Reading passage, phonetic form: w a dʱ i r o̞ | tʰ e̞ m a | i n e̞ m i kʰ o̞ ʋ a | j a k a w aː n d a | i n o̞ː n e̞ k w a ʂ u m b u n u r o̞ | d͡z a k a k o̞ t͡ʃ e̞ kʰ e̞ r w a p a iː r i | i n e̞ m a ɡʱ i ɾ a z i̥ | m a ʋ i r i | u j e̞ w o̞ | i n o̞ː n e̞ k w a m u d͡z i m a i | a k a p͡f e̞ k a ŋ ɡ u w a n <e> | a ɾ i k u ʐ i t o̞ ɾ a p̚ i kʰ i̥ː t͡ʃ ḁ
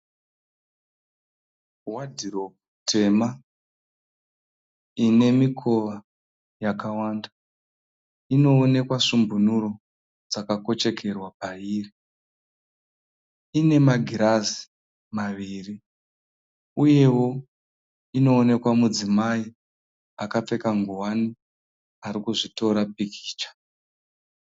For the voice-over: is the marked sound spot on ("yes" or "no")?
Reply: no